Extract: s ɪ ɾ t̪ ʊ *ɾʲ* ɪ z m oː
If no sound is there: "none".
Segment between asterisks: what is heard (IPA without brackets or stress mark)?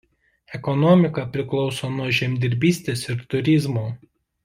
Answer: ɾʲ